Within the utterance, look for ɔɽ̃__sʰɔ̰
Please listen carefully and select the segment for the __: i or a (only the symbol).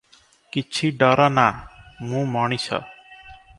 i